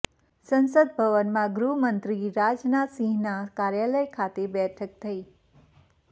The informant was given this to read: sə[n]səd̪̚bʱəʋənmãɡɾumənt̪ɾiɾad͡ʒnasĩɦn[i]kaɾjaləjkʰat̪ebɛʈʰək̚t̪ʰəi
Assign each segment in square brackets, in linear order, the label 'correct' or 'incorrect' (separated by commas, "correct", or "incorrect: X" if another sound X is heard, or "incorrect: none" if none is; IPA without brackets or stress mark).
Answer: correct, incorrect: a